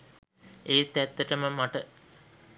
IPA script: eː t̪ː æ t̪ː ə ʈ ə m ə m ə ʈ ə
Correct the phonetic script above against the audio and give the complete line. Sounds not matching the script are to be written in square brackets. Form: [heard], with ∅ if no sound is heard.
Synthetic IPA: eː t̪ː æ t̪ː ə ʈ ə m ə m [a] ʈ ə